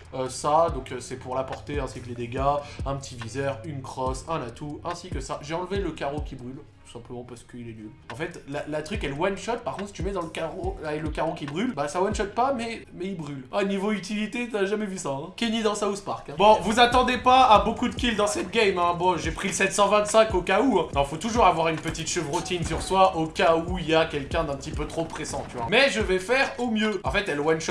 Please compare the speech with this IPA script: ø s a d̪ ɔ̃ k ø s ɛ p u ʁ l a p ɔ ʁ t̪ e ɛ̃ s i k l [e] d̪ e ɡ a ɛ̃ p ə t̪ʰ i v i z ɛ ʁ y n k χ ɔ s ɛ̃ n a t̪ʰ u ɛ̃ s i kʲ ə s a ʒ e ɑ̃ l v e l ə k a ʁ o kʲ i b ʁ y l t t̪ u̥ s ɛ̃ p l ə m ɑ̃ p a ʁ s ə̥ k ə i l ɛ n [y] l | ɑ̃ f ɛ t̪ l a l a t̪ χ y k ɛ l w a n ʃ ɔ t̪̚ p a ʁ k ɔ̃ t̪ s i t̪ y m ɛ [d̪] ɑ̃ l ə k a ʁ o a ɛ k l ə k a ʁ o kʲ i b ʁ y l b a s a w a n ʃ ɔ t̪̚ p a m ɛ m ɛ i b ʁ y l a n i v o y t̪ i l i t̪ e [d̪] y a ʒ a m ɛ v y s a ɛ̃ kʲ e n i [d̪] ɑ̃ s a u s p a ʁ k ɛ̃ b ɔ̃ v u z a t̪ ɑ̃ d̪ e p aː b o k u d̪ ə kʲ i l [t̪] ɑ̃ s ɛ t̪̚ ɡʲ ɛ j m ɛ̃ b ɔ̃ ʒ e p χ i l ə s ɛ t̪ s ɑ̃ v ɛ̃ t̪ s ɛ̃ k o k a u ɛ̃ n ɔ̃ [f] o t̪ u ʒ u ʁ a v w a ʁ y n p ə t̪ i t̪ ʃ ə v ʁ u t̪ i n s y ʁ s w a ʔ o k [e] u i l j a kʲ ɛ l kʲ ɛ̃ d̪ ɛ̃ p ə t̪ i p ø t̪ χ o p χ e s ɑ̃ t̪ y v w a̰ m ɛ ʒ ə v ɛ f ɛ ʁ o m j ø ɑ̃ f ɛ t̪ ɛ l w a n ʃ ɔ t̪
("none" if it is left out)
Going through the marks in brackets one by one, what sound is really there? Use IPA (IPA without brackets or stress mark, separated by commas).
e, y, d̪, t̪, d̪, d̪, f, a